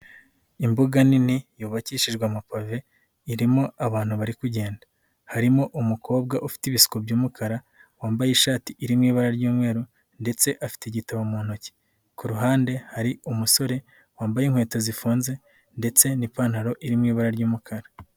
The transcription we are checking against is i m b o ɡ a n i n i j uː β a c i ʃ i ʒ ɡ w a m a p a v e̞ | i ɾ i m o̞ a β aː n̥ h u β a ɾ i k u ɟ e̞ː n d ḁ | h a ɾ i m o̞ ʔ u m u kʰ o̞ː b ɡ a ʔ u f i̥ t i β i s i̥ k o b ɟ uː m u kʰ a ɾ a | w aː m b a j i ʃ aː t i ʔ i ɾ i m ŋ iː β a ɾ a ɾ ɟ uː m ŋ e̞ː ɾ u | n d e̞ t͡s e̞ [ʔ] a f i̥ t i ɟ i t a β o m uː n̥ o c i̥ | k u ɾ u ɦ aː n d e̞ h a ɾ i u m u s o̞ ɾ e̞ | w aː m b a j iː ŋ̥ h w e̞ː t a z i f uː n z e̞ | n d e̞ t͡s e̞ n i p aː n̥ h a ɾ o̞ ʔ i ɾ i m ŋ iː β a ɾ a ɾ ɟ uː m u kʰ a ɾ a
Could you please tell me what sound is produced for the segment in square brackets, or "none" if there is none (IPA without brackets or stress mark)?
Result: ʔ